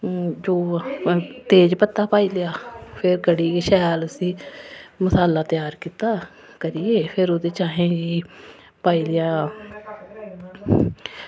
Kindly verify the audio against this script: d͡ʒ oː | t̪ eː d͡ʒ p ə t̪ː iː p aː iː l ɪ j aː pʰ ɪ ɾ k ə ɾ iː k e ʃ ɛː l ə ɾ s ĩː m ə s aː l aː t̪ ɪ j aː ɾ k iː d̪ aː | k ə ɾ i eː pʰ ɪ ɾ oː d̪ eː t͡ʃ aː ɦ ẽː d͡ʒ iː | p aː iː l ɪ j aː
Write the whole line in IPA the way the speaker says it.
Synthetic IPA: d͡ʒ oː | t̪ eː d͡ʒ p ə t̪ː aː p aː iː l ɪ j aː pʰ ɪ ɾ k ə ɽ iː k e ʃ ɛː l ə s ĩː m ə s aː l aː t̪ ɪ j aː ɾ k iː t̪ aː | k ə ɾ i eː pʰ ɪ ɾ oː d̪ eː t͡ʃ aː ɦ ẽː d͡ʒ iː | p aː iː l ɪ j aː